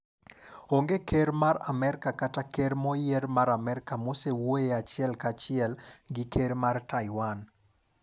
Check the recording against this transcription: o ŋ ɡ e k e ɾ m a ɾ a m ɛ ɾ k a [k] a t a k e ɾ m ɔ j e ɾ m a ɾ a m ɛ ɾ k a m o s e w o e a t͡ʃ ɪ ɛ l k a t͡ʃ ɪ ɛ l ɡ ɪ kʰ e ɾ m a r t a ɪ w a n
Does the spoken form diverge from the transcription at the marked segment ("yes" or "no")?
no